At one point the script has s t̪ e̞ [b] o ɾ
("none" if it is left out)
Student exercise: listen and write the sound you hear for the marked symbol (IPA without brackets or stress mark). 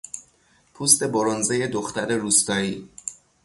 b